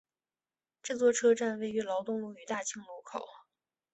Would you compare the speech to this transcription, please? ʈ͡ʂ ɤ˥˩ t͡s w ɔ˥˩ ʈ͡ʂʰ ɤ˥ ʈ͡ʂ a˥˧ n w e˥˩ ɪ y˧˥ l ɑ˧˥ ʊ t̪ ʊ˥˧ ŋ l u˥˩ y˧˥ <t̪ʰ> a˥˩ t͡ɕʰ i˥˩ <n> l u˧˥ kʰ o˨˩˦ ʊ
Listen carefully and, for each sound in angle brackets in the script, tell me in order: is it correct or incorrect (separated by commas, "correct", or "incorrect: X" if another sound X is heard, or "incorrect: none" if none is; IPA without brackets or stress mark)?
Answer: incorrect: t̪, incorrect: ŋ